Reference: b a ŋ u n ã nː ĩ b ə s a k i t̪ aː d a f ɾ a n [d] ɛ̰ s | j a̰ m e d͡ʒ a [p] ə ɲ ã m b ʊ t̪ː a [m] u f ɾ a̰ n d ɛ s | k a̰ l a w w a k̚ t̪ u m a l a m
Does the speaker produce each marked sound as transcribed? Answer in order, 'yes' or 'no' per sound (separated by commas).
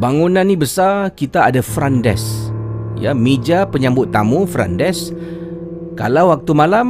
yes, yes, yes